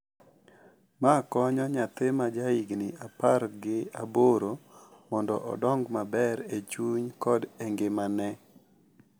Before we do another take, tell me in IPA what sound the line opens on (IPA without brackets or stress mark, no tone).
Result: m